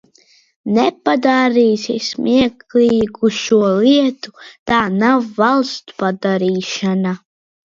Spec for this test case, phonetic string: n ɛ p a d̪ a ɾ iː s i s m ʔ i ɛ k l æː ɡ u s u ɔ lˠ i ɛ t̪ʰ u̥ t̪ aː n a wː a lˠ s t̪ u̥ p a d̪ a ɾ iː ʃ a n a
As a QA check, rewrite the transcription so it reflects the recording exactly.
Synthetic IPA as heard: n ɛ p a d̪ a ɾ iː s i s m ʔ i ɛ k l iː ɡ u ʃ u ɔ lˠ i ɛ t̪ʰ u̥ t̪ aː n a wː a lˠ s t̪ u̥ p a d̪ a ɾ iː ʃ a n a